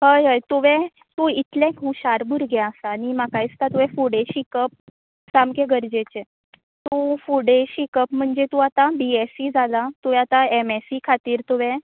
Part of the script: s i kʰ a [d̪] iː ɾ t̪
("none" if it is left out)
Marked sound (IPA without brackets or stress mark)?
t̪